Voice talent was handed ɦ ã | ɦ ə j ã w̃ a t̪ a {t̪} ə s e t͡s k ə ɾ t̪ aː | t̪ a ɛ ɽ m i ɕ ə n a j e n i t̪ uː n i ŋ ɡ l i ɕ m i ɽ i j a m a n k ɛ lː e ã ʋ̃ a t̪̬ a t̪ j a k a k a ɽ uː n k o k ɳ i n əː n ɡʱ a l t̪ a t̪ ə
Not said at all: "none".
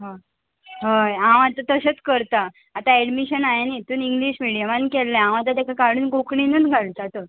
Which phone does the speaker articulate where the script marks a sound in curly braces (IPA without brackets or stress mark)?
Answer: t̪